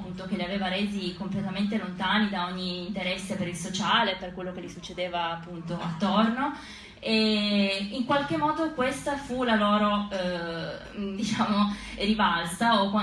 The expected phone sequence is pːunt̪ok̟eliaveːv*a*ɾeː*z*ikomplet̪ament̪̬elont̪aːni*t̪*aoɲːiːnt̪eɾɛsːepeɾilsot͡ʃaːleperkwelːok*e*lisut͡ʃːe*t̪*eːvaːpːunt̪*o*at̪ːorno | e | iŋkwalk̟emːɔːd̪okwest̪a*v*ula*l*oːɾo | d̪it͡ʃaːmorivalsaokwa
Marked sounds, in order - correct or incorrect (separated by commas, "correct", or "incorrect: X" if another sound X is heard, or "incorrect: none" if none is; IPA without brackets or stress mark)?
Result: correct, correct, incorrect: d̪, correct, incorrect: d̪, correct, incorrect: f, correct